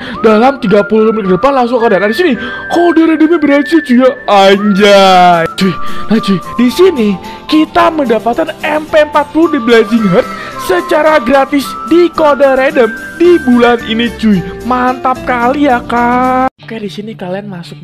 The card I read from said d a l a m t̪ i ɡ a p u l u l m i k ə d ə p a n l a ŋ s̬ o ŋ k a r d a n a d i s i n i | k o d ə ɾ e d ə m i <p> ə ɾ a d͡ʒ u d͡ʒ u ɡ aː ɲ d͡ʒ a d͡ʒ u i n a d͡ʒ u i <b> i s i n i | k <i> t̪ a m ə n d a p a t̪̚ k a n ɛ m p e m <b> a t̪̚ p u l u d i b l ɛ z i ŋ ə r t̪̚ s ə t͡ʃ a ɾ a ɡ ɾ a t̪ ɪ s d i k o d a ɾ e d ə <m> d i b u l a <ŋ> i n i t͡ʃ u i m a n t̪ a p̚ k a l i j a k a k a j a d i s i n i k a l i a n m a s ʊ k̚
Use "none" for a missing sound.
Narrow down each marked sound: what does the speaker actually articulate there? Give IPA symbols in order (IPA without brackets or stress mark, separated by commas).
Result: b, d, i, p, m, n